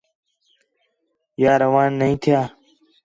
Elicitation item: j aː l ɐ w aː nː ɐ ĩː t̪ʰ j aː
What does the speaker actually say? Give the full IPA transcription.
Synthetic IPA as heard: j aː ɾ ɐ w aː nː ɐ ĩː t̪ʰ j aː